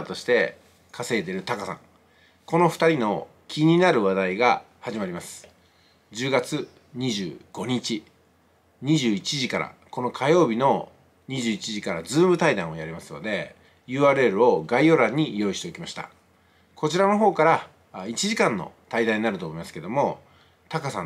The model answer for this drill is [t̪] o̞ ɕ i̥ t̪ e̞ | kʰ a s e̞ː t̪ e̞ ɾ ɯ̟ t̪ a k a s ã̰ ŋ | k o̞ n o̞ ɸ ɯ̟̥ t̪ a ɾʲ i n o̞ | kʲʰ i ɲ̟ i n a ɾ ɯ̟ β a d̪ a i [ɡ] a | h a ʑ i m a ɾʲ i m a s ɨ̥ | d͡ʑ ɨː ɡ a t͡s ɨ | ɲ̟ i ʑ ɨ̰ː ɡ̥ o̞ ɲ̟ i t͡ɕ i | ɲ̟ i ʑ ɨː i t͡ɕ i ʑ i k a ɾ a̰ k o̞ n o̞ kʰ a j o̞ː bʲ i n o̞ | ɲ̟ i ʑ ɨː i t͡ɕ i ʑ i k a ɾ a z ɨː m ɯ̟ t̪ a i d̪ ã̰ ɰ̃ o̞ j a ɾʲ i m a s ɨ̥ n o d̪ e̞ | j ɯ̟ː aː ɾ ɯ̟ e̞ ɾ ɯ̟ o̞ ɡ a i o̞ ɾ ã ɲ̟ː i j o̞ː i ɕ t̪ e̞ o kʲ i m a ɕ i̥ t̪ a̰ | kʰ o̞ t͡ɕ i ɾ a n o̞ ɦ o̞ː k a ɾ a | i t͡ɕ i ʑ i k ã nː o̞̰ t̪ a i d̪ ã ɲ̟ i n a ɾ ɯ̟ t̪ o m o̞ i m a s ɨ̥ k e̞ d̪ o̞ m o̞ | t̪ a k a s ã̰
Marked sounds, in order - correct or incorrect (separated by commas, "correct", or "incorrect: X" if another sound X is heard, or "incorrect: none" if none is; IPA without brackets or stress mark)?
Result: correct, correct